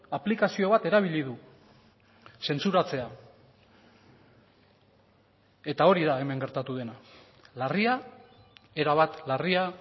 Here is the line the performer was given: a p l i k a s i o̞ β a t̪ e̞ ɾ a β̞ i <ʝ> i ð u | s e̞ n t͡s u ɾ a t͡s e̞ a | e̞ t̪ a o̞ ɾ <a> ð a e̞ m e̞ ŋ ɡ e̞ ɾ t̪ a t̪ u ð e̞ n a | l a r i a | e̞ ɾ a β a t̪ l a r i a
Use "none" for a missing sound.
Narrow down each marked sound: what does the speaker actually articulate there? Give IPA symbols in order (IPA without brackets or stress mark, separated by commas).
ʎ, i